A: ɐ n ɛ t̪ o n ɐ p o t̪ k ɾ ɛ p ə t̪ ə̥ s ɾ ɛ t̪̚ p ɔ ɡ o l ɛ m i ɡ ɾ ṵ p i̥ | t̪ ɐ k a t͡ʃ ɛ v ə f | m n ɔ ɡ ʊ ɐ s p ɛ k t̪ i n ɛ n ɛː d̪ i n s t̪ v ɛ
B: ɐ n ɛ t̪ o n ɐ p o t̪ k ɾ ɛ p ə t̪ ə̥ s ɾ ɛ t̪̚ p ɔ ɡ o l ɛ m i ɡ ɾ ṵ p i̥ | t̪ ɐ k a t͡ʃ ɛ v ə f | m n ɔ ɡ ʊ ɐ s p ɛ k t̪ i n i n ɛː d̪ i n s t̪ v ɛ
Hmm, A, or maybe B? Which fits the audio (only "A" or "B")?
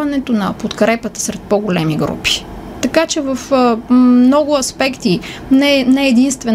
A